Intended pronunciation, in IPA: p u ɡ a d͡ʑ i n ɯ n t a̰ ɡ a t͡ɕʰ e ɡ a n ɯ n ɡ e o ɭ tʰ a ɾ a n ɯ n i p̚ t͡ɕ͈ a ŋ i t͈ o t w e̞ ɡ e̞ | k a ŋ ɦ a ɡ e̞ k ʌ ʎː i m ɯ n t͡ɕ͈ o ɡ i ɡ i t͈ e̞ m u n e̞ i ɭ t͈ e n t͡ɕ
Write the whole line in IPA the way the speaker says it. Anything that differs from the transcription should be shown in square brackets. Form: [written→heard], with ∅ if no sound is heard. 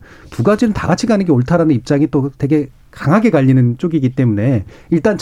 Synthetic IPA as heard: p u ɡ a d͡ʑ i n ɯ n t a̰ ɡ a t͡ɕʰ [e→i] ɡ a n ɯ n ɡ e o ɭ tʰ a ɾ a n ɯ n i p̚ t͡ɕ͈ a ŋ i t͈ o t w e̞ ɡ e̞ | k a ŋ ɦ a ɡ e̞ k [ʌ→a] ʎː i [m→n] ɯ n t͡ɕ͈ o ɡ i ɡ i t͈ e̞ m u n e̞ i ɭ t͈ [e→a] n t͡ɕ